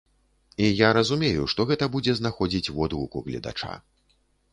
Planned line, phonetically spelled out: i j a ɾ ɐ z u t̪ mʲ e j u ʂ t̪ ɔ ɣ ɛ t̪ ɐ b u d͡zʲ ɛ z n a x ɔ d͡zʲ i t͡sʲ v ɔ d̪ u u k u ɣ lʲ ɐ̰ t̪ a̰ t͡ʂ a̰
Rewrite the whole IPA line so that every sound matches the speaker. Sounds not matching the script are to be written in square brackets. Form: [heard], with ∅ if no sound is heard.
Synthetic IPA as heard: i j a ɾ ɐ z u [∅] mʲ e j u ʂ t̪ ɔ ɣ ɛ t̪ ɐ b u d͡zʲ ɛ z n a x ɔ d͡zʲ i t͡sʲ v ɔ d̪ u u k u ɣ lʲ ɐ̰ [d̪] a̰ t͡ʂ a̰